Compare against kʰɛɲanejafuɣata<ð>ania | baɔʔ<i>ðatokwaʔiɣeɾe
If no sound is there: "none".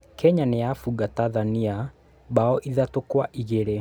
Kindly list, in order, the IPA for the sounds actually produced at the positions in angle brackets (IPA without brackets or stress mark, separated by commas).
ð, i